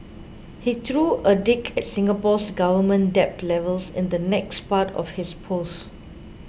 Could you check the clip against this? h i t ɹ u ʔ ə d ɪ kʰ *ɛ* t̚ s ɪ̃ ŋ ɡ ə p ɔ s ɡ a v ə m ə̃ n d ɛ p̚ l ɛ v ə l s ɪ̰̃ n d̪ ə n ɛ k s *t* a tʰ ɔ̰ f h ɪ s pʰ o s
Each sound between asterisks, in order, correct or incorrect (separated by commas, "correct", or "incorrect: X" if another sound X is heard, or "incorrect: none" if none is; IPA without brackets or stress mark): correct, incorrect: p